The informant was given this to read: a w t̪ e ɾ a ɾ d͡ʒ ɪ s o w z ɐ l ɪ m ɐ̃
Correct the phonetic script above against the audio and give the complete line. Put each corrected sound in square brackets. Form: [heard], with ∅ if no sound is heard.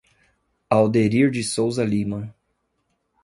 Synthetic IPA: a w [d̪] e ɾ [i] ɾ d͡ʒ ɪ s o w z ɐ l [i] m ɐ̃